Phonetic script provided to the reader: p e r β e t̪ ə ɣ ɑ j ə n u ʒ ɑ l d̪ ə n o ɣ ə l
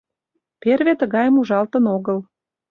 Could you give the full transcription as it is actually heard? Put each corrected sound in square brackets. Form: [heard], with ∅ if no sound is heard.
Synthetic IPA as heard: p e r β e t̪ ə ɣ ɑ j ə [m] u ʒ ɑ l [t̪] ə n o ɣ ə l